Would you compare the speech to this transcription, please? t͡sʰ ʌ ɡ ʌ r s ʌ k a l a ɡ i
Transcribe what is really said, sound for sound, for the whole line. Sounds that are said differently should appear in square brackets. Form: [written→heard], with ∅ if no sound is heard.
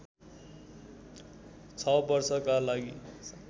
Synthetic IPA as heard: t͡sʰ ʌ [ɡ→b] ʌ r s ʌ k a l a ɡ i